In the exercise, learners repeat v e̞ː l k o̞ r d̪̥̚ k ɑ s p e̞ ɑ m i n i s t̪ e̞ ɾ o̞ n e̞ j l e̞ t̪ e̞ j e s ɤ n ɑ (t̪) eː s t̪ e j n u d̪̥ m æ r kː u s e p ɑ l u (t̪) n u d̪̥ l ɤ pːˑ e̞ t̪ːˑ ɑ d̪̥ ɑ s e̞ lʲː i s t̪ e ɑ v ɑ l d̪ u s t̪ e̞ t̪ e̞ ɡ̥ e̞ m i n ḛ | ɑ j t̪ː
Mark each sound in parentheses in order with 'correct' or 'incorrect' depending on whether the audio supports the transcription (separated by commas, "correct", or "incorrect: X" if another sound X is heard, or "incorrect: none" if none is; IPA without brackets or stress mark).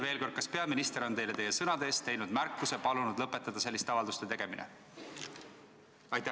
incorrect: d̪, incorrect: none